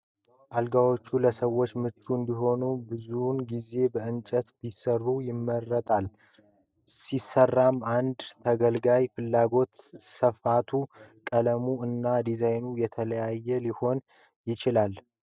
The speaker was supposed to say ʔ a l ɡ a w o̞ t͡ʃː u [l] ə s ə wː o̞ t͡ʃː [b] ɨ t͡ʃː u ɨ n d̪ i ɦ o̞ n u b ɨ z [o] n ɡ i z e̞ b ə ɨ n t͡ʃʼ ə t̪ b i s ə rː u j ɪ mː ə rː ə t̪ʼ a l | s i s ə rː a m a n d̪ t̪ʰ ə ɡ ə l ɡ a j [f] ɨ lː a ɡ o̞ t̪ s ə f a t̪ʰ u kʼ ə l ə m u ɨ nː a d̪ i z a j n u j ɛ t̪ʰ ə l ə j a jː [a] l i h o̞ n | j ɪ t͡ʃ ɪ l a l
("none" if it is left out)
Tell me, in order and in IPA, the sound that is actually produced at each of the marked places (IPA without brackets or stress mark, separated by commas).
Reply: l, m, u, f, ɛ